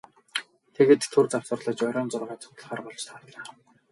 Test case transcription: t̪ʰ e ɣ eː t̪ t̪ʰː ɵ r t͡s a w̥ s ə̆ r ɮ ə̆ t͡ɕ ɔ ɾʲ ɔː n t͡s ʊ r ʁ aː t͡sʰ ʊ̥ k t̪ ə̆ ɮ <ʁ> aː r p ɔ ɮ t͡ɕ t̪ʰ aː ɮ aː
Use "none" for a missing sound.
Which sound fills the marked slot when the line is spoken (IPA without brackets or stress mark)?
χ